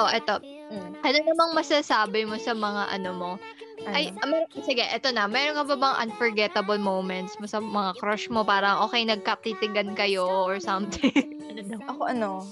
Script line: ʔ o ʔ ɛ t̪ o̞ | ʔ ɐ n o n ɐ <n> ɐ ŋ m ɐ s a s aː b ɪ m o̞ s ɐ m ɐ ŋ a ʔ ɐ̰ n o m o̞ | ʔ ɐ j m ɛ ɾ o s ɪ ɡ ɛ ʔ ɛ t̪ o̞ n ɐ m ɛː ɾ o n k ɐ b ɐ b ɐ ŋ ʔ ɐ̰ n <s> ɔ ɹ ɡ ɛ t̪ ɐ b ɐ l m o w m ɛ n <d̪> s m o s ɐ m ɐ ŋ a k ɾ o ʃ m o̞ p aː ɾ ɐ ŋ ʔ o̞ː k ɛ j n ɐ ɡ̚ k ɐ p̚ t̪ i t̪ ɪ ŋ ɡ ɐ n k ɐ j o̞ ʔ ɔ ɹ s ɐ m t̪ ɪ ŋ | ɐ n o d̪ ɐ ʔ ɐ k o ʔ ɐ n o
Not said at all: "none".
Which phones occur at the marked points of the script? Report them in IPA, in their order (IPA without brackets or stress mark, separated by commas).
m, f, t̪